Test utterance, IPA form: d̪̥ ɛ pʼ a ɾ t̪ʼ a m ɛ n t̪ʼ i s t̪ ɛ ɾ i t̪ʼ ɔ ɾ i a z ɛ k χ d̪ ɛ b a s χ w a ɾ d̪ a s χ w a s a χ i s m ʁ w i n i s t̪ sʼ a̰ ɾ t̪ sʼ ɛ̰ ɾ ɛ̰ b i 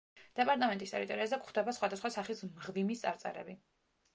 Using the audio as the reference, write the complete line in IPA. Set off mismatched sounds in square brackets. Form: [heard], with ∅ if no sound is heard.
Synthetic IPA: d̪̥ ɛ pʼ a ɾ t̪ʼ a m ɛ n t̪ʼ i s t̪ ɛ ɾ i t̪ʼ ɔ ɾ i a z ɛ k χ d̪ ɛ b a s χ w a [∅] d̪ a s χ w a s a χ i s m ʁ [v] i [m] i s t̪ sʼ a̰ ɾ t̪ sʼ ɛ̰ ɾ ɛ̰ b i